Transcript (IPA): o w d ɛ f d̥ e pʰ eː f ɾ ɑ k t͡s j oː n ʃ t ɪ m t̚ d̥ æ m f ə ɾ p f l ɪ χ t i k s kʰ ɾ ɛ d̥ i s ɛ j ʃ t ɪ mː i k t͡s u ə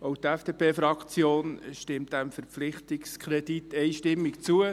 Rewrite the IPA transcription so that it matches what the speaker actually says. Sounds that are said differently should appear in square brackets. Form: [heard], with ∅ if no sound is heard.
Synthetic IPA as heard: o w [t] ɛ f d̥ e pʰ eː f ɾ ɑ k t͡s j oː n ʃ t ɪ m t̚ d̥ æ m f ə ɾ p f l ɪ χ t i k s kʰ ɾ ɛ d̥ i [t] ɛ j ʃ t ɪ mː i k t͡s u ə